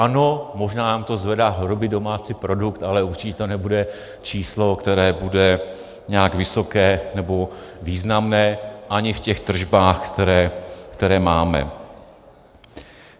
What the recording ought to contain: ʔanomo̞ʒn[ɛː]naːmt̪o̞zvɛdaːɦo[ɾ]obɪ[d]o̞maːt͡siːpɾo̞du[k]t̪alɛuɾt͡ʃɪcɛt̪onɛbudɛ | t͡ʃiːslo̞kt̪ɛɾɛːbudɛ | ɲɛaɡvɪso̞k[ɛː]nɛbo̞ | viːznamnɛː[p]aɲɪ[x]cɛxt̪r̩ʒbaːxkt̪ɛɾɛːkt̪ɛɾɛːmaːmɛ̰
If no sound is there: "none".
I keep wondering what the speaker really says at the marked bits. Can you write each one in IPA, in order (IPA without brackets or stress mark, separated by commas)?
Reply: aː, ɾ, d, k, ɛː, ʔ, f